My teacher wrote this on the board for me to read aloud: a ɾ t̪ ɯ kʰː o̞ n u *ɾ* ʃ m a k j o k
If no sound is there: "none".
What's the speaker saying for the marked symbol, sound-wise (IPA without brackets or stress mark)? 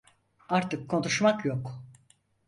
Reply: none